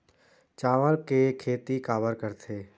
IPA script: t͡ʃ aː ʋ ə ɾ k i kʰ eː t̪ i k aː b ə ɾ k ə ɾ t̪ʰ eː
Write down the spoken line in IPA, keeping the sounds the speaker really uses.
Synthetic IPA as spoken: t͡ʃ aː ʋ ə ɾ k e kʰ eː t̪ i k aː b ə ɾ k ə ɾ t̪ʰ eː